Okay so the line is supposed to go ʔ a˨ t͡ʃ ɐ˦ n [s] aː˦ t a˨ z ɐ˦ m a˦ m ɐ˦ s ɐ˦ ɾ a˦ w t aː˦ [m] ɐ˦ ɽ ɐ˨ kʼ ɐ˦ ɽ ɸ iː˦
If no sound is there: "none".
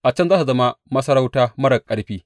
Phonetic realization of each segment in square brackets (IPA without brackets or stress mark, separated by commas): z, m